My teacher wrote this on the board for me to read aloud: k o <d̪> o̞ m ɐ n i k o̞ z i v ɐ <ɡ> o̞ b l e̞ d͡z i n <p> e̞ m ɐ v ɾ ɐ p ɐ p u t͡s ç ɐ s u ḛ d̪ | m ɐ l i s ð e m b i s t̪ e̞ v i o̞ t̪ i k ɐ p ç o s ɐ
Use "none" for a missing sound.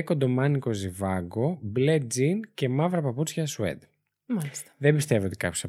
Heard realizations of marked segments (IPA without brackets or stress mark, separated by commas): d̪, ɡ, c